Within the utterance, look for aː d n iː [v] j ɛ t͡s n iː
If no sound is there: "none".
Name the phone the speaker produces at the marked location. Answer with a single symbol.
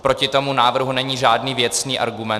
v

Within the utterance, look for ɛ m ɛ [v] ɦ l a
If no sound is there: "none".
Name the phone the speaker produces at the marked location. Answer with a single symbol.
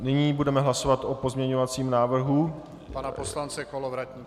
none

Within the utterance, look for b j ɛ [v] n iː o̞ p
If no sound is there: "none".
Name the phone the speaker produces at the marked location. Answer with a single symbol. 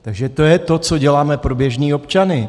ʒ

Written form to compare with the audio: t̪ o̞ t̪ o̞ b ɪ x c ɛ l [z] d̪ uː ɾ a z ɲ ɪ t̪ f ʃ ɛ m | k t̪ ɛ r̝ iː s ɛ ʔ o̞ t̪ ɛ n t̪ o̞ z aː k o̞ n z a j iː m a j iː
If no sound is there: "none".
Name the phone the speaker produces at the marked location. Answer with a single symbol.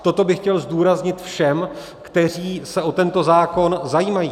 z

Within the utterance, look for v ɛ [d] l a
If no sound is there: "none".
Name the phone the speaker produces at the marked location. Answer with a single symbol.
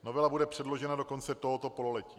none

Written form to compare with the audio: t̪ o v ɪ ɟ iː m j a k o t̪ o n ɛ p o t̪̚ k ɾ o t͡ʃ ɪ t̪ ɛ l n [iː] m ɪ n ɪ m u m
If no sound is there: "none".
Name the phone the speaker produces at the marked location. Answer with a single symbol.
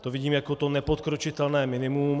ɛː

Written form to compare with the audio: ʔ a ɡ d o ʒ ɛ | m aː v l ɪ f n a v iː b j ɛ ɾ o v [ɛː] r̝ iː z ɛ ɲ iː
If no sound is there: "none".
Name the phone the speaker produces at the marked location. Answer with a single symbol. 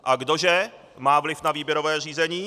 ɛː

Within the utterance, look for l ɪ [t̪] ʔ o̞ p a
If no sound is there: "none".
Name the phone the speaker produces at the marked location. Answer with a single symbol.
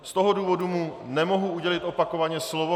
t̪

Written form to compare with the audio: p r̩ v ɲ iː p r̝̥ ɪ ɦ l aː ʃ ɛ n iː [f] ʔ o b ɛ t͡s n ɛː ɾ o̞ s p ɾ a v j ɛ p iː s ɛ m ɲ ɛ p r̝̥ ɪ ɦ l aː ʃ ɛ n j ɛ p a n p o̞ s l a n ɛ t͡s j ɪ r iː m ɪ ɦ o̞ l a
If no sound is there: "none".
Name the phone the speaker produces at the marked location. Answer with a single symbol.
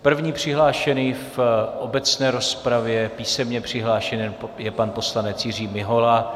f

